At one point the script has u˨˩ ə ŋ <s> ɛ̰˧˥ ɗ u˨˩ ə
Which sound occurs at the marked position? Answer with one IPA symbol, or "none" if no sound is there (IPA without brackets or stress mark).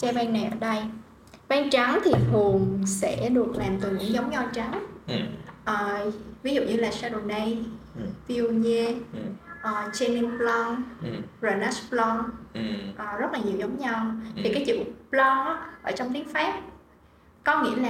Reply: s